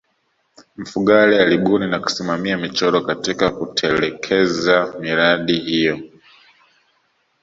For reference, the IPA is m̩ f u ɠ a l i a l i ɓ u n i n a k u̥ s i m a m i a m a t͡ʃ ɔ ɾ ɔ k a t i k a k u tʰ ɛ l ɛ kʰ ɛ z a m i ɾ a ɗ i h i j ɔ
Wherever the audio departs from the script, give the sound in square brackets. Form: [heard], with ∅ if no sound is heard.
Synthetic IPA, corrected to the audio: m̩ f u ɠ a l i a l i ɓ u n i n a k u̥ s i m a m i a m [i] t͡ʃ ɔ ɾ ɔ k a t i k a k u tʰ ɛ l ɛ kʰ ɛ z a m i ɾ a ɗ i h i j ɔ